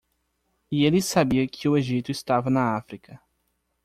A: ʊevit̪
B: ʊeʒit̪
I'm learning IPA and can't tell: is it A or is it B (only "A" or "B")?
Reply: B